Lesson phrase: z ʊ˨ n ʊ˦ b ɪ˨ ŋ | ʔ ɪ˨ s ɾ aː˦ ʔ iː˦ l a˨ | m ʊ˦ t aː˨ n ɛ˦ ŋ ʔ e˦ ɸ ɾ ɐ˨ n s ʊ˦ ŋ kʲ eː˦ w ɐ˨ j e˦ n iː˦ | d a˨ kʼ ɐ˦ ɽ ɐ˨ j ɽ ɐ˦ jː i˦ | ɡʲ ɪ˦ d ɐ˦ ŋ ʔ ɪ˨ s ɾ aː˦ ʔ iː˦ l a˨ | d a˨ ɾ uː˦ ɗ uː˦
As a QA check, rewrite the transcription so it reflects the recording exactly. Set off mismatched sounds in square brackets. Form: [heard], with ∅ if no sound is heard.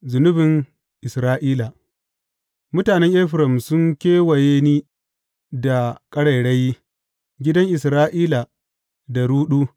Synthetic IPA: z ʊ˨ n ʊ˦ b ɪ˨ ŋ | ʔ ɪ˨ s ɾ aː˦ ʔ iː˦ l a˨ | m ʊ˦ t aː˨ n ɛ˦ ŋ ʔ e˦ ɸ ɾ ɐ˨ [m] s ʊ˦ ŋ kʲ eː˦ w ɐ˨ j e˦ n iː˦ | d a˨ kʼ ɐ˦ ɽ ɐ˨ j ɽ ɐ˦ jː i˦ | ɡʲ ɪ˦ d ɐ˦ ŋ ʔ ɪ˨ s ɾ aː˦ ʔ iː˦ l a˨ | d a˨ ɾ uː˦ ɗ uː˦